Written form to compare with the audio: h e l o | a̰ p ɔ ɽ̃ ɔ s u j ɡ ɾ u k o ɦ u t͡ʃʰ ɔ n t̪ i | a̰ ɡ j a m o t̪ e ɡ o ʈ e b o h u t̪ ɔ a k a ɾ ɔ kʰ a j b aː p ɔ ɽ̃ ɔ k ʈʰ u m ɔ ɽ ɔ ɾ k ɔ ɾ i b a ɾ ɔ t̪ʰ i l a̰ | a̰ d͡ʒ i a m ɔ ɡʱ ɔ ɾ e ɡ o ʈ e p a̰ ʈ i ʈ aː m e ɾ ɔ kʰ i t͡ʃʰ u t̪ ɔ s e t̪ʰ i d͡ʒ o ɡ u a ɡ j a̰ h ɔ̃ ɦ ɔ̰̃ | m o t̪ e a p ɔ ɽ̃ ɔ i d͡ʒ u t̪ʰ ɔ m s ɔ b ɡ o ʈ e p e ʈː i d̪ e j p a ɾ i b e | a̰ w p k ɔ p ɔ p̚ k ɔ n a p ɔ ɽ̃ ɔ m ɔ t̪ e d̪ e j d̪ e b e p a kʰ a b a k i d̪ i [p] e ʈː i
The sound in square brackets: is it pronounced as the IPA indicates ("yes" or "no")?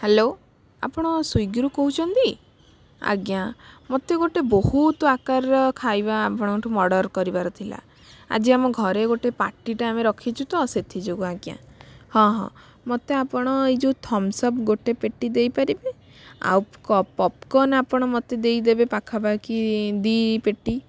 yes